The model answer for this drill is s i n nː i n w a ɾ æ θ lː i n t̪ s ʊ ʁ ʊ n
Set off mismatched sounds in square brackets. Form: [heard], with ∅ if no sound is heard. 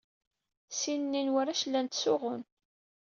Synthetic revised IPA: s i n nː i n w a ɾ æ [ʃ] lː [æ] n t̪ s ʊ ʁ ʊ n